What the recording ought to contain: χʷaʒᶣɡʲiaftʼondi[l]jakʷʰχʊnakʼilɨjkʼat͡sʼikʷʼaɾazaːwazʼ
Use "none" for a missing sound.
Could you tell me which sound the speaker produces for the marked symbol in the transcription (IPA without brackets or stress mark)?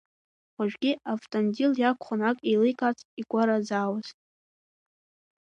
l